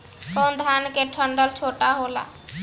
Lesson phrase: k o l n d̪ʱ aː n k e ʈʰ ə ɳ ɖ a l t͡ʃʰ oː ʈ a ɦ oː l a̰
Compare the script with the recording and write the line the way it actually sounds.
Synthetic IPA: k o n d̪ʱ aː n k e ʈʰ ə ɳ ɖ ə l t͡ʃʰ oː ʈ a ɦ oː l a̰